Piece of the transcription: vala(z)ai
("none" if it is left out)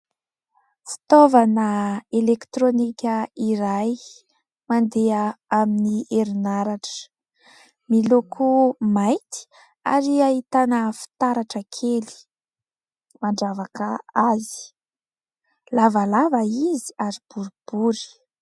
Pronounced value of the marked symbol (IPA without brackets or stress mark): v